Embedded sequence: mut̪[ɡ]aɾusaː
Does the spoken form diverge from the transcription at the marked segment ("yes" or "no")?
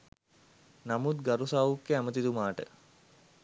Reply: no